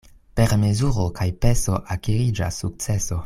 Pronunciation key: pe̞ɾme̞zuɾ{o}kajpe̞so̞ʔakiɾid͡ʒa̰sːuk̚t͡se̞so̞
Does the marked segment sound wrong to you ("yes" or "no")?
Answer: no